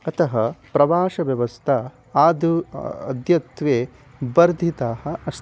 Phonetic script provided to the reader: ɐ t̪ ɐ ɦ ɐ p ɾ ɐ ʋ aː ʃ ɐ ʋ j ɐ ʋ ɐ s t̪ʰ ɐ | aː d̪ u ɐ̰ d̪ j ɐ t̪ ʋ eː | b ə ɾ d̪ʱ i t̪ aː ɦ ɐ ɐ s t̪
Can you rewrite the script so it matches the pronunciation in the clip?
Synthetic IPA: ɐ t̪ ɐ ɦ ɐ p ɾ ɐ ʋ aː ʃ ɐ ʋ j ɐ ʋ ɐ s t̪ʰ ɐ | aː d̪ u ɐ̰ d̪ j ɐ t̪ ʋ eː | b ɐ ɾ d̪ʱ i t̪ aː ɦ ɐ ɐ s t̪